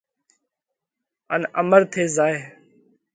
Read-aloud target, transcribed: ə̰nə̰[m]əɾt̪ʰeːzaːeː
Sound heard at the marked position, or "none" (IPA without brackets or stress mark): m